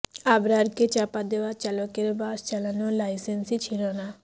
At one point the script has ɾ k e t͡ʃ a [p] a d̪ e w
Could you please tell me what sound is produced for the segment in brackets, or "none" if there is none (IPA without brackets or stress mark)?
p